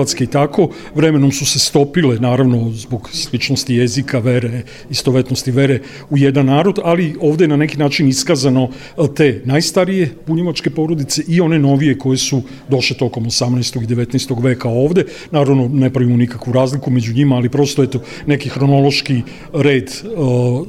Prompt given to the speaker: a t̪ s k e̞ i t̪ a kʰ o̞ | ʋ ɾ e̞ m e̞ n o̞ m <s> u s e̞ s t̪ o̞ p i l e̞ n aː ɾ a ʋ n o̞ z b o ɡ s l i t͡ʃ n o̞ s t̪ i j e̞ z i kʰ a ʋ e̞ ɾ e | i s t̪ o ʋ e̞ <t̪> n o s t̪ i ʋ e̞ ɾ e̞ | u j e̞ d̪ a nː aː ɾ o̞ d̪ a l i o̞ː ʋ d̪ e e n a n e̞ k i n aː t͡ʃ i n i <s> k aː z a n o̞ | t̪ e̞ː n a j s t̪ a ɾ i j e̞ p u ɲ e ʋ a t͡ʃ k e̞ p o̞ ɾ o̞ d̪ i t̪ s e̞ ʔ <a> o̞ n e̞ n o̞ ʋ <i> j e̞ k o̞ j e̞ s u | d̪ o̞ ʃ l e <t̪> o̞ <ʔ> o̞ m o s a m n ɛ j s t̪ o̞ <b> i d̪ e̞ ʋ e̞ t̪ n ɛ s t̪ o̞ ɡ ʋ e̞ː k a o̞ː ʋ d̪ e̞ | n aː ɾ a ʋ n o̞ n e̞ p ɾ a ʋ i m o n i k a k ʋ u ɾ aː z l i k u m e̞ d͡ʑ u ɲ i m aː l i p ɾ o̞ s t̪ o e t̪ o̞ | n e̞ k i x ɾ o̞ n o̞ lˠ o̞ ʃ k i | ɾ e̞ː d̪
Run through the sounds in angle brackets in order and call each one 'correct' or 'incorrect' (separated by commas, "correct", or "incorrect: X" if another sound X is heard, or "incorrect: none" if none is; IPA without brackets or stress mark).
correct, correct, correct, incorrect: i, correct, correct, incorrect: k, incorrect: ɡ